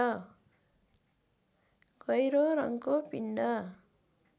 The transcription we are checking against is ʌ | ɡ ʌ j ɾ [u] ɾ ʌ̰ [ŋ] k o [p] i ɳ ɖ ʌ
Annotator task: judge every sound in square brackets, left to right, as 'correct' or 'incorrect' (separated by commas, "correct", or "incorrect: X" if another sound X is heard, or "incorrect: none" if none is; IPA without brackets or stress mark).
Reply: incorrect: o, correct, correct